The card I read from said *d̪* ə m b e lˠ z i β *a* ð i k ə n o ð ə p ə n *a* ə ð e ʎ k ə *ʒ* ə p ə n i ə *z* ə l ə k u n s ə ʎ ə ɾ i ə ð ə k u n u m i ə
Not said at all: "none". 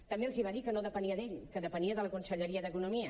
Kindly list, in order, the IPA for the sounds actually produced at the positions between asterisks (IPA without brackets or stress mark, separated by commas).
t̪, a, i, ð, ð